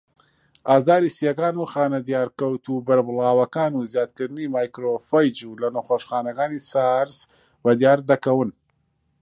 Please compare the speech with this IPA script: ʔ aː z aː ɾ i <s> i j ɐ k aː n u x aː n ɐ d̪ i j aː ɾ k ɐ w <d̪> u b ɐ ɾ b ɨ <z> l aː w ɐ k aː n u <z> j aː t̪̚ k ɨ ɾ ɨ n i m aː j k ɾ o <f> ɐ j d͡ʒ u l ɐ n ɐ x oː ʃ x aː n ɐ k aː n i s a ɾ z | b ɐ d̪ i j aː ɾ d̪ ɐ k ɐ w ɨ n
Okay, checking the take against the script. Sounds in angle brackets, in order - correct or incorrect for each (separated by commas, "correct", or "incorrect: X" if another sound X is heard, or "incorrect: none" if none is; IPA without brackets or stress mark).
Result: correct, incorrect: t̪, incorrect: none, correct, correct